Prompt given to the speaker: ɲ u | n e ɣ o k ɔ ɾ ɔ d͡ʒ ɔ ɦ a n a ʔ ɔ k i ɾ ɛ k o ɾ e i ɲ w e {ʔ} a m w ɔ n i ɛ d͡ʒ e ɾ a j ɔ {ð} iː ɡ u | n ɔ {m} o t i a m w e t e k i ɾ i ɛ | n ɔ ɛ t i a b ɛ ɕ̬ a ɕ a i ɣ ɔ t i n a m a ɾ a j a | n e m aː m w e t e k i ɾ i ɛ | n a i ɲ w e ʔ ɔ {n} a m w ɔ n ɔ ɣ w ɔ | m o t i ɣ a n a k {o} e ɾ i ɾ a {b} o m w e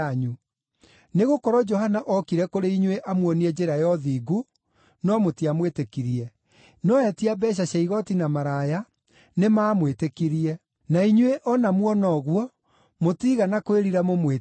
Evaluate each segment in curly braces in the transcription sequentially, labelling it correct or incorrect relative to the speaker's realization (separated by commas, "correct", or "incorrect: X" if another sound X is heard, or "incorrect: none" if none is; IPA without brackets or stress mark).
correct, correct, correct, correct, correct, incorrect: m